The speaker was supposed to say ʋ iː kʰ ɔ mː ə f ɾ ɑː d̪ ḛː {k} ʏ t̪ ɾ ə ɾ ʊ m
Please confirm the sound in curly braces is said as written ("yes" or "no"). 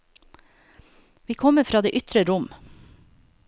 no